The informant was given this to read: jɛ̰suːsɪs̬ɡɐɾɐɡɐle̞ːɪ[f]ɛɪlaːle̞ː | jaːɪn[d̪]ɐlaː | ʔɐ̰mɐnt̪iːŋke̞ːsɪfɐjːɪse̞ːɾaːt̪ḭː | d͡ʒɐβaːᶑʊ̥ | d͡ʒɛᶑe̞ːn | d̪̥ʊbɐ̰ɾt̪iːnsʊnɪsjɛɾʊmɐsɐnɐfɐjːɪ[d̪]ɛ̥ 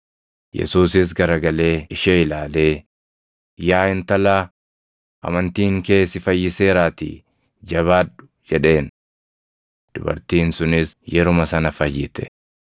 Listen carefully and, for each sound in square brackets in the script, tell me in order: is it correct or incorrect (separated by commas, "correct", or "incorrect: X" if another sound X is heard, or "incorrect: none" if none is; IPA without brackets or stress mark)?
incorrect: ʃ, incorrect: t̪, incorrect: t̪